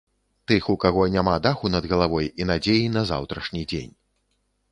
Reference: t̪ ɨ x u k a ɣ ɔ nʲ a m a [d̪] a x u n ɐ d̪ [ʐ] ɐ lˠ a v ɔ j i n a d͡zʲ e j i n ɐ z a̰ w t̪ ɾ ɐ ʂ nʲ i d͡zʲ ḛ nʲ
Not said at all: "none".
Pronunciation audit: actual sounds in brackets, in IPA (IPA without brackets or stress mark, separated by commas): d̪, ɣ